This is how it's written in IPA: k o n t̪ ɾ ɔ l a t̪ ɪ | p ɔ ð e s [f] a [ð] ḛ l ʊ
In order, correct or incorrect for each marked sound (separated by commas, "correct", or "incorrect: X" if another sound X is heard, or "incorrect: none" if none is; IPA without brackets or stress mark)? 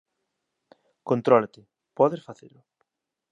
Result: correct, incorrect: θ